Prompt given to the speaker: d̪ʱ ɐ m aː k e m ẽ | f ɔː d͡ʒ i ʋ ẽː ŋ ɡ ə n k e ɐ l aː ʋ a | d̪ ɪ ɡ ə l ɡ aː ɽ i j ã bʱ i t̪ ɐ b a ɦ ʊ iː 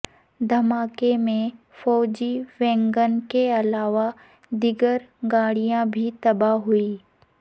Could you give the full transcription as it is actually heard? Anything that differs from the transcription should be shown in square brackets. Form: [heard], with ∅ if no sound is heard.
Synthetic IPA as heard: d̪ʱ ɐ m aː k e m ẽ | f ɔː d͡ʒ i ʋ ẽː ŋ ɡ ə n k e ɐ l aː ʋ a | d̪ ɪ ɡ ə [ɾ] ɡ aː ɽ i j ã bʱ i t̪ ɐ b a ɦ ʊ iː

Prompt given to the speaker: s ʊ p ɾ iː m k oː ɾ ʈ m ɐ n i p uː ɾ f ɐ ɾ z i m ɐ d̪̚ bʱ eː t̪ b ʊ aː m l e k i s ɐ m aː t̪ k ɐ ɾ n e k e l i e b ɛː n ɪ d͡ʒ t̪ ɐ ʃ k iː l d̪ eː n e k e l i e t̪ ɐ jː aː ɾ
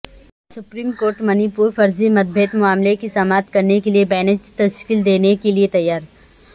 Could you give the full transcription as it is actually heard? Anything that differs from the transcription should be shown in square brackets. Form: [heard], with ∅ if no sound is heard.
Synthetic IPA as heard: s ʊ p ɾ iː m k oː ɾ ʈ m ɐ n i p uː ɾ f ɐ ɾ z i m ɐ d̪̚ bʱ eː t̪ [m] ʊ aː m l e k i s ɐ m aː t̪ k ɐ ɾ n e k e l i e b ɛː n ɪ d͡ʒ t̪ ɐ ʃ k iː l d̪ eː n e k e l i e t̪ ɐ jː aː ɾ

